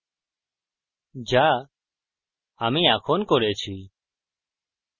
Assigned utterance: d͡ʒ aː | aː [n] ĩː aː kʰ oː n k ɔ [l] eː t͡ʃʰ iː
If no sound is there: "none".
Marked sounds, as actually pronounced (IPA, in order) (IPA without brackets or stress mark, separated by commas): m, ɾ